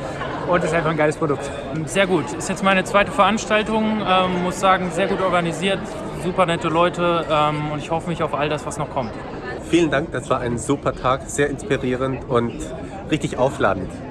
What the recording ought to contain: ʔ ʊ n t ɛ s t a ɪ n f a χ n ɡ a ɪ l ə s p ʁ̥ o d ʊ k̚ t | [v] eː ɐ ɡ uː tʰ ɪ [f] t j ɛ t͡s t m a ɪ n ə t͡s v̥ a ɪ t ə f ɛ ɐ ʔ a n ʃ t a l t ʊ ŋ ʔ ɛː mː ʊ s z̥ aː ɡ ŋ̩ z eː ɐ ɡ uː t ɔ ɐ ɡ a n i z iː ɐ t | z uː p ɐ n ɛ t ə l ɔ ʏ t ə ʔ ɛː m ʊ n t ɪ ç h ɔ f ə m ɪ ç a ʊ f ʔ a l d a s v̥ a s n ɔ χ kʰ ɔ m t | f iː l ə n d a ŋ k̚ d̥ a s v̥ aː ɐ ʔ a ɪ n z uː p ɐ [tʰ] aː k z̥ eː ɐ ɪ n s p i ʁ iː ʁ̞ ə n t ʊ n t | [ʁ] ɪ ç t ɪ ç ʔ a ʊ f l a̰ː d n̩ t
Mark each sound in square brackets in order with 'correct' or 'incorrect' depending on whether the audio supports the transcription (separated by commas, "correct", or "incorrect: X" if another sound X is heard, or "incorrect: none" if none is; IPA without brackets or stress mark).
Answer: incorrect: z, incorrect: s, correct, correct